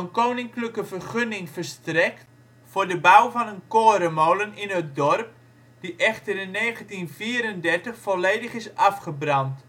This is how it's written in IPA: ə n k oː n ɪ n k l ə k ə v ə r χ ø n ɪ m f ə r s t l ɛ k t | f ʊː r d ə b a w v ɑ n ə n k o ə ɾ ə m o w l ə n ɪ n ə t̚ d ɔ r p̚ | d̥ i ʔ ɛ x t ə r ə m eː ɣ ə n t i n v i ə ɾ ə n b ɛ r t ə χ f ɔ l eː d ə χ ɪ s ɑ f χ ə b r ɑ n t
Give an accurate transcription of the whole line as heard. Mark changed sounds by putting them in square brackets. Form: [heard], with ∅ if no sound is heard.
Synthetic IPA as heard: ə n k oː n ɪ [ŋ] k l ə k ə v ə r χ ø n ɪ [ŋ] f ə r s t [r] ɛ k t | f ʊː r d ə b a w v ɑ n ə n k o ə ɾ ə m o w l ə n ɪ n ə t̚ d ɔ r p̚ | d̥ i ʔ ɛ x t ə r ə [n] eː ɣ ə n t i n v i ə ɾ ə n [d] ɛ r t ə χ f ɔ l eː d ə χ ɪ s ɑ f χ ə b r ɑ n t

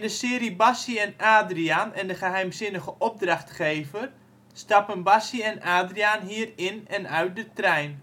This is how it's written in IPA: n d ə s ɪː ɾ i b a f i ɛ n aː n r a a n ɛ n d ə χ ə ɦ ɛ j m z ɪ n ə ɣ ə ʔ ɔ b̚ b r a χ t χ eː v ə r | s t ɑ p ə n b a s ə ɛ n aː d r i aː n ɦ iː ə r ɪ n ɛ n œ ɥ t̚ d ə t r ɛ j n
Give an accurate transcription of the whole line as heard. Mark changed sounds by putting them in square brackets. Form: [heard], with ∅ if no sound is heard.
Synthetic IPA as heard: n d ə s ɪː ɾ i b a [s] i ɛ n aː [d] r [i] a n ɛ n d ə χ ə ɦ ɛ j m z ɪ n ə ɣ ə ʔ ɔ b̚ [d] r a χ t χ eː v ə r | s t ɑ p ə n b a s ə ɛ n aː d r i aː n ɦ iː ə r ɪ n ɛ n œ ɥ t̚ d ə t r ɛ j n

